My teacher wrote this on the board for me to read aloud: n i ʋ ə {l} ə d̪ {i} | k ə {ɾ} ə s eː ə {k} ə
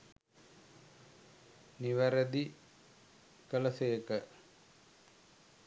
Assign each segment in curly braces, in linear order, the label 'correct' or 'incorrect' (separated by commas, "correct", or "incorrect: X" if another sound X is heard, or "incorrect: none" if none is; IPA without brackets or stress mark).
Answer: incorrect: ɾ, correct, incorrect: l, correct